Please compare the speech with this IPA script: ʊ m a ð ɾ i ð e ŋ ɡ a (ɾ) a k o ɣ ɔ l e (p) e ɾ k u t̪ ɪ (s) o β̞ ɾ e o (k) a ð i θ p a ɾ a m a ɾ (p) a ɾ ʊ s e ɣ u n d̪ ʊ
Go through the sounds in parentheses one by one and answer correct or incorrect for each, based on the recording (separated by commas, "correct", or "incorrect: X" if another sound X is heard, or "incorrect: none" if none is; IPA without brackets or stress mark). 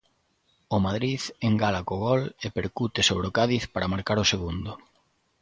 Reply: incorrect: l, correct, correct, correct, incorrect: k